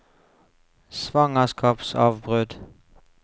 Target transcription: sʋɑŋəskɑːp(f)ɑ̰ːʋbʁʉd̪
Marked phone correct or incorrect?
incorrect